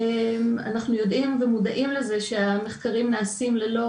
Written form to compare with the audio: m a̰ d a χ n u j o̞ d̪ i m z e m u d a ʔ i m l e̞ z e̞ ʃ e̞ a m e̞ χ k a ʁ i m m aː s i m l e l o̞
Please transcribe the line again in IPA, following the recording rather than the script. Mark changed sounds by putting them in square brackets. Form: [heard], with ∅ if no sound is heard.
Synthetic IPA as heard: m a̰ [n] a χ n u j o̞ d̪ i m [v] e m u d a ʔ i m l e̞ z e̞ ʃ e̞ a m e̞ χ k a ʁ i m [n] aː s i m l e l o̞